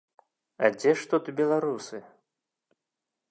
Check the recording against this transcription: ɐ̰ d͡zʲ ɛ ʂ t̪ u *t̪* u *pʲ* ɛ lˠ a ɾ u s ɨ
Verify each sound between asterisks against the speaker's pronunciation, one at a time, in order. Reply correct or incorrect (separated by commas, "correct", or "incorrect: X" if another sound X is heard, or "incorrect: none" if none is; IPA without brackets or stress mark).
correct, incorrect: bʲ